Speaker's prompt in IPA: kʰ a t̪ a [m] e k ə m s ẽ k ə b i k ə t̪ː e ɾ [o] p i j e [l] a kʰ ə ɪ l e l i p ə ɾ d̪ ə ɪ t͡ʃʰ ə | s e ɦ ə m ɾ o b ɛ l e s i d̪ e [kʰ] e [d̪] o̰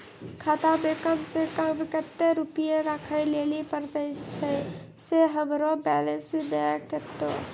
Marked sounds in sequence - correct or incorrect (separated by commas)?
incorrect, incorrect, incorrect, incorrect, incorrect